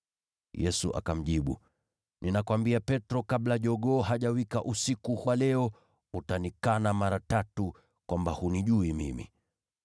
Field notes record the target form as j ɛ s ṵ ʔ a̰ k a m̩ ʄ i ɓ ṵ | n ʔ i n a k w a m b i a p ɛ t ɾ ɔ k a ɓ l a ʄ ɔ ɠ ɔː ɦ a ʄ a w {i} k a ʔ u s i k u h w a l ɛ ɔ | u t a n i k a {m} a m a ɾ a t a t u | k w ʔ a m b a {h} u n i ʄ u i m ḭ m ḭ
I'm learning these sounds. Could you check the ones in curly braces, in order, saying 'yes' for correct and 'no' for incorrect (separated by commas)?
yes, no, yes